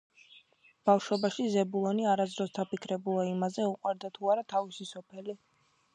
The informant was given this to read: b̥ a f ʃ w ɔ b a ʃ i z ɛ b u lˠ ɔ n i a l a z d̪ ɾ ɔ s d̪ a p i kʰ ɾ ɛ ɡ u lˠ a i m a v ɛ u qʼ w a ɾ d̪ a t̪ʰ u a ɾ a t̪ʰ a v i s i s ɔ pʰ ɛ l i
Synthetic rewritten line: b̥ a f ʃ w ɔ b a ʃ i z ɛ b u lˠ ɔ n i a ɾ a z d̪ ɾ ɔ s d̪ a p i kʰ ɾ ɛ b u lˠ a i m a z ɛ u qʼ w a ɾ d̪ a t̪ʰ u a ɾ a t̪ʰ a v i s i s ɔ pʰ ɛ l i

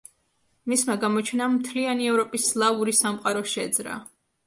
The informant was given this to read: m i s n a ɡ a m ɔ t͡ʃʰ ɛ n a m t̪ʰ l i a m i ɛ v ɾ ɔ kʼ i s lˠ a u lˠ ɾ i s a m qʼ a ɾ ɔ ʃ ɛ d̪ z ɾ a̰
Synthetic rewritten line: m i s m a ɡ a m ɔ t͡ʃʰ ɛ n a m t̪ʰ l i a n i ɛ v ɾ ɔ pʼ i s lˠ a u ɾ i s a m qʼ a ɾ ɔ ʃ ɛ d̪ z ɾ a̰

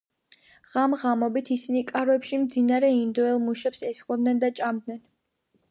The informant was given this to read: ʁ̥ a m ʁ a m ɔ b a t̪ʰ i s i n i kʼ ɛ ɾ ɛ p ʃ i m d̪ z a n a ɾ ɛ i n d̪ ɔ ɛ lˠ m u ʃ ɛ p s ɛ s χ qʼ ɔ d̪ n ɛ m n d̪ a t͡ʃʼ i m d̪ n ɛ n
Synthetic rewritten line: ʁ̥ a m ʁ a m ɔ b i t̪ʰ i s i n i kʼ a ɾ ɛ p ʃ i m d̪ z i n a ɾ ɛ i n d̪ ɔ ɛ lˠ m u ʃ ɛ p s ɛ s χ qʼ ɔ d̪ n ɛ n d̪ a t͡ʃʼ a m d̪ n ɛ n

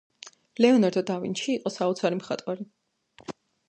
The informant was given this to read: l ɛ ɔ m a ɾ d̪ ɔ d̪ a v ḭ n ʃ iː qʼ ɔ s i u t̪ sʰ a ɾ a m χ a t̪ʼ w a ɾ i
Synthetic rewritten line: l ɛ ɔ n a ɾ d̪ ɔ d̪ a v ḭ n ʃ iː qʼ ɔ s a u t̪ sʰ a ɾ i m χ a t̪ʼ w a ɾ i

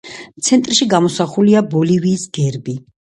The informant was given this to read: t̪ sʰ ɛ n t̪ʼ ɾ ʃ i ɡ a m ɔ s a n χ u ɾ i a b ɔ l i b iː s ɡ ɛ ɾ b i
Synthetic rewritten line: t̪ sʰ ɛ n t̪ʼ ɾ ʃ i ɡ a m ɔ s a χ u l i a b ɔ l i v iː s ɡ ɛ ɾ b i

